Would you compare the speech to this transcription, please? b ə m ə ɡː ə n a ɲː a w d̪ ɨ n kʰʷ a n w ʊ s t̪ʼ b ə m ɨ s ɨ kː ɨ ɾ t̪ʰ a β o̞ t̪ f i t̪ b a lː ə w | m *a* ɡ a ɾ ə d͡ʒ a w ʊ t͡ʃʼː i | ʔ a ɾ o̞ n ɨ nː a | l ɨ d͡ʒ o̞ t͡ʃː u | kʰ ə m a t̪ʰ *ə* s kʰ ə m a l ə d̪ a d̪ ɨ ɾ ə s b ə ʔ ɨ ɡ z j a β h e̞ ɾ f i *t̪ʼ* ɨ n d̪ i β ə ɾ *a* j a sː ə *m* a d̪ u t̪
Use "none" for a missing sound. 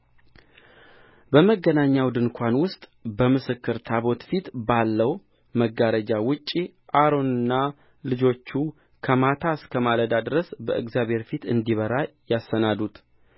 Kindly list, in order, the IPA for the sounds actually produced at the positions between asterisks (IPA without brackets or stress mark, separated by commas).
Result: ə, a, t̪, a, n